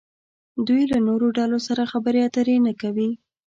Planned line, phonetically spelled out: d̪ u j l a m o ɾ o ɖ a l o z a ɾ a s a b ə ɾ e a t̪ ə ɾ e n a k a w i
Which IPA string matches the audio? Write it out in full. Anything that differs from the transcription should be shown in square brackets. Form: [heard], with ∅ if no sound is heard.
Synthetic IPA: d̪ u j l a [n] o ɾ o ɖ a l o [s] a ɾ a [x] a b ə ɾ e a t̪ ə ɾ e n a k a w i